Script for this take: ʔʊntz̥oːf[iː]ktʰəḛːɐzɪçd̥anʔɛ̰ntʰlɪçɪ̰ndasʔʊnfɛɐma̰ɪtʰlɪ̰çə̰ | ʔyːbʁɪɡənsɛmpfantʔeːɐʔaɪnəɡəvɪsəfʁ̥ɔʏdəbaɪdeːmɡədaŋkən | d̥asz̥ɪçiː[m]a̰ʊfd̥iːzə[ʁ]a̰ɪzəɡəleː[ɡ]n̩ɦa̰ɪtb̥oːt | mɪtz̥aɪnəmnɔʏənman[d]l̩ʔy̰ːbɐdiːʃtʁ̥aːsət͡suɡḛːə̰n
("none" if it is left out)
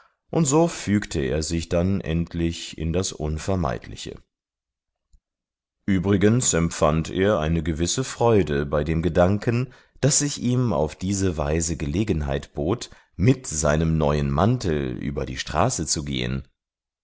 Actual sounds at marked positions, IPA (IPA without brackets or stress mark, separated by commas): yː, m, v, ɡ, t